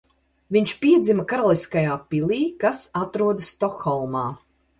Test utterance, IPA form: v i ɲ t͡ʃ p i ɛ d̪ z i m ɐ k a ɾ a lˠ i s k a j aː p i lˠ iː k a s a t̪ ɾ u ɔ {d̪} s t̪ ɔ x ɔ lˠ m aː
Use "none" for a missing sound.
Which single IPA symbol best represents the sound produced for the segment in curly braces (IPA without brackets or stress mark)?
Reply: d̪